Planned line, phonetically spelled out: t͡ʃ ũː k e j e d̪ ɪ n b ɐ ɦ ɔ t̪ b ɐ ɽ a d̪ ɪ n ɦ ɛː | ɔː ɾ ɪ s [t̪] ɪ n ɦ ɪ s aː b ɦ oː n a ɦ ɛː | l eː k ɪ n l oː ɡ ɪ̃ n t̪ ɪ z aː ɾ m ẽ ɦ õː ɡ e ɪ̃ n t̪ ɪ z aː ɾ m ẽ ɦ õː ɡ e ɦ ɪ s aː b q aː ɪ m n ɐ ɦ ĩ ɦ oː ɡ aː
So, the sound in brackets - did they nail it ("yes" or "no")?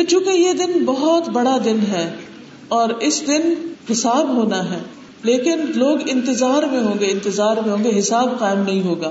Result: no